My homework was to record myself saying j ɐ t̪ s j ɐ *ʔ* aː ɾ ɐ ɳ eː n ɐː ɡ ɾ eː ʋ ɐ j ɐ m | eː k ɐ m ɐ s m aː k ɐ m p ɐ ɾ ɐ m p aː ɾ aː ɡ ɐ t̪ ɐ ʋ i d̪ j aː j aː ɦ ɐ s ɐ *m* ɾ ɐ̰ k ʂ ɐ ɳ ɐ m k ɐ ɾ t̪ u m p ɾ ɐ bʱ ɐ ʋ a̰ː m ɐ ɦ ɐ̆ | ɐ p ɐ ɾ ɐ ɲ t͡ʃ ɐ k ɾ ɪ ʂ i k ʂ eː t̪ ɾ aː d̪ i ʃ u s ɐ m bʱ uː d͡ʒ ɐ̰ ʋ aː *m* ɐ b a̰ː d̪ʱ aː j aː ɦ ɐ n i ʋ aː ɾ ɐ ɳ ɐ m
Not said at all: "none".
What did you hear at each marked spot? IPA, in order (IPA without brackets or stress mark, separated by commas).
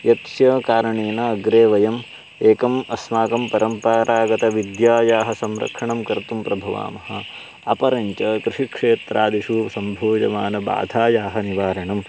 k, m, n